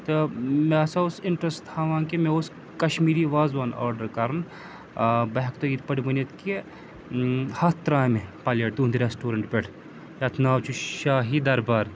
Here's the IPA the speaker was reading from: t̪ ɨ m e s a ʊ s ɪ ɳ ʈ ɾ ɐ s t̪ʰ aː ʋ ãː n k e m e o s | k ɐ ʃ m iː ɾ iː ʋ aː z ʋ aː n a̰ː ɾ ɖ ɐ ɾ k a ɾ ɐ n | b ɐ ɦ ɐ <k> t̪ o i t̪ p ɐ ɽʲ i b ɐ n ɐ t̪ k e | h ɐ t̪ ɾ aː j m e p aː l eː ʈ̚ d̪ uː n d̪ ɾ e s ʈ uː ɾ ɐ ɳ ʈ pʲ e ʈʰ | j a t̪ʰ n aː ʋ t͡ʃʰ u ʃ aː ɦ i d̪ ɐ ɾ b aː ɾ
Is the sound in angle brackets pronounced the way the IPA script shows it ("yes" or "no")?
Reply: yes